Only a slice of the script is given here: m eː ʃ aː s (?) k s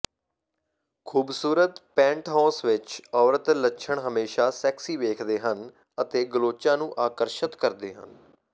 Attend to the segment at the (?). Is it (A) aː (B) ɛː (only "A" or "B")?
B